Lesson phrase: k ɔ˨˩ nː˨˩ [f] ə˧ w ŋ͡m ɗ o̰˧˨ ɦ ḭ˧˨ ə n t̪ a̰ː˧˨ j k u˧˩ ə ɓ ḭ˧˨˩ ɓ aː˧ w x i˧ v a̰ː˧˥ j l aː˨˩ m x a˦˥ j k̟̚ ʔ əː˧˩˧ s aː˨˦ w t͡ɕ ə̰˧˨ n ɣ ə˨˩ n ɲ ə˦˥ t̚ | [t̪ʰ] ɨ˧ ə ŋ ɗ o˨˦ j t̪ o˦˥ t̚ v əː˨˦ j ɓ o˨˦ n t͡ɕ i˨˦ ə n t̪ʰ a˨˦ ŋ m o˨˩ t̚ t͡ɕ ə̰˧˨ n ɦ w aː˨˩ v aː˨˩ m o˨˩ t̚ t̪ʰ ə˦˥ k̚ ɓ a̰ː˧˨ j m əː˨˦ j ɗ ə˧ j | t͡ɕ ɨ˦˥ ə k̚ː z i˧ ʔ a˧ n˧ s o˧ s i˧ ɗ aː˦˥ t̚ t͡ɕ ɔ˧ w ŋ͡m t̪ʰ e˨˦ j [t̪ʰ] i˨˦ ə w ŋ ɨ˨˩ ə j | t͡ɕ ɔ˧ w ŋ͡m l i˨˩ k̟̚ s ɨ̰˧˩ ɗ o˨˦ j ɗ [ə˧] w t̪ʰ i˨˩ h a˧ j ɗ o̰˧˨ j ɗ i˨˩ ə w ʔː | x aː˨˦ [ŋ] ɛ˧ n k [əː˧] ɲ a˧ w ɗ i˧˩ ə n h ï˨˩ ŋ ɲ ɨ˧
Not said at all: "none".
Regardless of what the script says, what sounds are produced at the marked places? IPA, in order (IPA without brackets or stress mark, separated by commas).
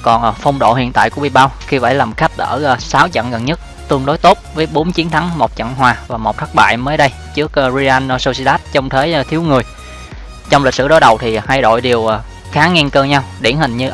f, t̪, t̪ʰ, ə˨˩, ŋ, əː˧